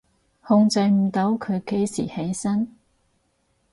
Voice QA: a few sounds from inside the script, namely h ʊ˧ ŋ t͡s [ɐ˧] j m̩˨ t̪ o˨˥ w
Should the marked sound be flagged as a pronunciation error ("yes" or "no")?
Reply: no